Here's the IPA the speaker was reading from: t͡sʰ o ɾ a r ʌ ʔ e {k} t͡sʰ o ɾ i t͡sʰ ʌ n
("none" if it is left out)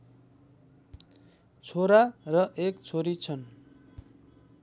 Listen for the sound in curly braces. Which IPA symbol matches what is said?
k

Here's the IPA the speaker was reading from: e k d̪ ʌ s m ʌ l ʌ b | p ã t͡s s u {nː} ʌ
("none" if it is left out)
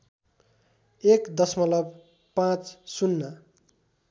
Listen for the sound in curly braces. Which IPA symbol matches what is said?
nː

